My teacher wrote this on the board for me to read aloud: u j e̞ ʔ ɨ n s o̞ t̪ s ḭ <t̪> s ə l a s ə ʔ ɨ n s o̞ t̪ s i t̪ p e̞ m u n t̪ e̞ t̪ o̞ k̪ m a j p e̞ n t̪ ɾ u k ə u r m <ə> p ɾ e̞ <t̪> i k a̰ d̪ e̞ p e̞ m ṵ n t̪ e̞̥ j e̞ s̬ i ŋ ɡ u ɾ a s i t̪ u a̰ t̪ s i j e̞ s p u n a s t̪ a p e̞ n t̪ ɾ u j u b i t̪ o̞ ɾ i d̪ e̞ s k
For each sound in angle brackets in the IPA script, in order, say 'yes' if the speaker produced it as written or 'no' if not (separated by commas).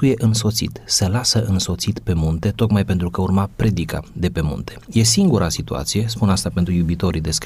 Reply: yes, no, no